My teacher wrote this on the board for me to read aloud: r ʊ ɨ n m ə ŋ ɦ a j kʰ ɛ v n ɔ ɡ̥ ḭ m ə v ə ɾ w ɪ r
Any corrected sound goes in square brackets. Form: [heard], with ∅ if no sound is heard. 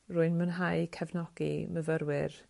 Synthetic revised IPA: r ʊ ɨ n m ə [n] ɦ a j kʰ ɛ v n ɔ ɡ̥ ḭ m ə v ə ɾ w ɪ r